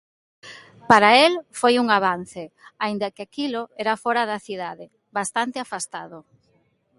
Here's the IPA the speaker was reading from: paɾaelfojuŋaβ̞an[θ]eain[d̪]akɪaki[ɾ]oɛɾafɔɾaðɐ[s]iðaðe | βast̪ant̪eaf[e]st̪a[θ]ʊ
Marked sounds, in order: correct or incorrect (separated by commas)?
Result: correct, correct, incorrect, incorrect, incorrect, incorrect